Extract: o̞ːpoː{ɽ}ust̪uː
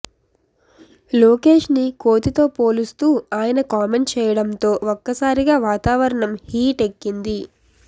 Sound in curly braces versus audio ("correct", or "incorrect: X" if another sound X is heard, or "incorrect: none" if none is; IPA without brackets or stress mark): incorrect: l